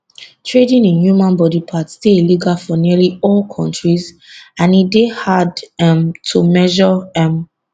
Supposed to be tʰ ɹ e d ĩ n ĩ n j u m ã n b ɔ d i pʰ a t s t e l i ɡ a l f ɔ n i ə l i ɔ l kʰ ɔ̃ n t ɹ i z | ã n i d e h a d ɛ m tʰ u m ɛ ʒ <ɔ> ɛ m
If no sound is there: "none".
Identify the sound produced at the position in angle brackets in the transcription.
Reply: ɔ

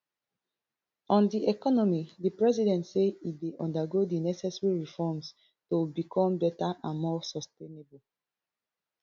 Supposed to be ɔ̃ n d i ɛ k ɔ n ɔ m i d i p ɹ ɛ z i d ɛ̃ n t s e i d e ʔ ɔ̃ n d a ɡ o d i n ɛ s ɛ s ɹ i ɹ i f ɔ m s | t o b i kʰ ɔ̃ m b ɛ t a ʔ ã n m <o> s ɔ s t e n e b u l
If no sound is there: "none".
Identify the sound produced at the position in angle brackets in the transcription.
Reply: ɔ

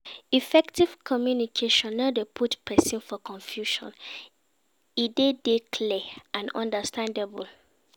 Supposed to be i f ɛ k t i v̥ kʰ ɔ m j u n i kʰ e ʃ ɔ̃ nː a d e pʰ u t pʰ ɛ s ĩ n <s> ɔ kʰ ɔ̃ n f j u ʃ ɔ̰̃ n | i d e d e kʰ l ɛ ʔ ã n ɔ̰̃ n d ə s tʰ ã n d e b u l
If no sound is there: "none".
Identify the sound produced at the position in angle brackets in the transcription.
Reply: f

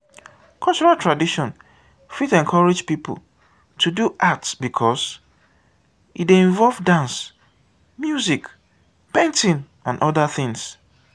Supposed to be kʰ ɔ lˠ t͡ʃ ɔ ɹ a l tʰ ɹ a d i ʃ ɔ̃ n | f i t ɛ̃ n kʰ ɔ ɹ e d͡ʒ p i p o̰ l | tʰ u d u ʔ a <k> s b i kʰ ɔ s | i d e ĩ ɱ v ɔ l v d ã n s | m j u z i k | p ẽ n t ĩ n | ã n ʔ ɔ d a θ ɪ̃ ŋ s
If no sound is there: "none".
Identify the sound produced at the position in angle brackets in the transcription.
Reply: t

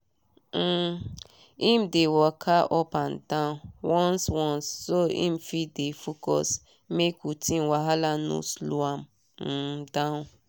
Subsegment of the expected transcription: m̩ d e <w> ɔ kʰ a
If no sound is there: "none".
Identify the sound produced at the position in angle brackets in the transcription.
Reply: w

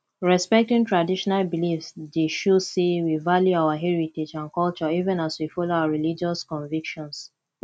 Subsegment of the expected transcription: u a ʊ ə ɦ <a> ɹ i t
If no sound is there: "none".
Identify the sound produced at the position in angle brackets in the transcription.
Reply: ɛ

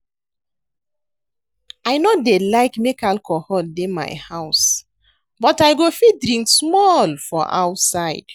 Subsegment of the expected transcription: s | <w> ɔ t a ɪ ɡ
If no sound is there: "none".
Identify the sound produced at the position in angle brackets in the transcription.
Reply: b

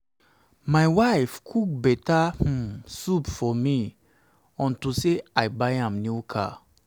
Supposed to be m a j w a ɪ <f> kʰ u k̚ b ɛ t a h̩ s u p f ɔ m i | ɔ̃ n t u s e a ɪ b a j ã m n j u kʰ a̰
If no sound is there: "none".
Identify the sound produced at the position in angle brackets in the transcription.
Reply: f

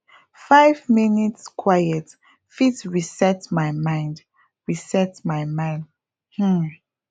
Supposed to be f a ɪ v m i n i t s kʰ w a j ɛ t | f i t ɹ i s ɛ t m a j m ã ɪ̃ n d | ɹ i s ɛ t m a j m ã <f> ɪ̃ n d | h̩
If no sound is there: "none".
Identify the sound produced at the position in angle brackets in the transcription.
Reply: none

